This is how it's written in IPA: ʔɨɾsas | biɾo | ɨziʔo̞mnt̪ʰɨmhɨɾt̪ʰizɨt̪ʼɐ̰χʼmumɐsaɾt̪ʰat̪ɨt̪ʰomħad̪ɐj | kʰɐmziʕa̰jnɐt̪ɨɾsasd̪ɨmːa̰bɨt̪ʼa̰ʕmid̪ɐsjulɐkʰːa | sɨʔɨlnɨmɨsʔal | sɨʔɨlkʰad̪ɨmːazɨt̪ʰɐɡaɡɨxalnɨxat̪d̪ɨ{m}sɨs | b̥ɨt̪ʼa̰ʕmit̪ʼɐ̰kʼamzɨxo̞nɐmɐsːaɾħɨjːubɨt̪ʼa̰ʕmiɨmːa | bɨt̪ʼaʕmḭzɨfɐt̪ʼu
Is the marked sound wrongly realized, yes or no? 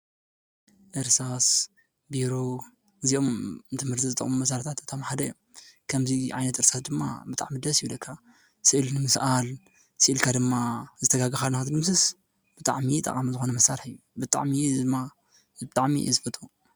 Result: no